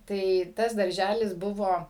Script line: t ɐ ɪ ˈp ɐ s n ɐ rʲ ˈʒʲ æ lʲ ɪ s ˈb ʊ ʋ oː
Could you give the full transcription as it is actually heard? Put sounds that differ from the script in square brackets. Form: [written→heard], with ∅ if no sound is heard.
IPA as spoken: t ɐ ɪ [ˈp→ˈt] ɐ s [n→d] ɐ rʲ ˈʒʲ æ lʲ ɪ s ˈb ʊ ʋ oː